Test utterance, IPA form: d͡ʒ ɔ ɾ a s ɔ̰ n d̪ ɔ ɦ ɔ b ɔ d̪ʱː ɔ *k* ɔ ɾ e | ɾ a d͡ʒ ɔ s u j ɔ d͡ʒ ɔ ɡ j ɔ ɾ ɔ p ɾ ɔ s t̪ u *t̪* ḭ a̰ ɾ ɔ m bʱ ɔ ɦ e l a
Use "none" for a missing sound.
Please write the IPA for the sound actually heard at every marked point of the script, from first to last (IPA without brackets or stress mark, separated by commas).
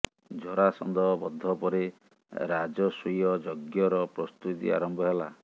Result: p, t̪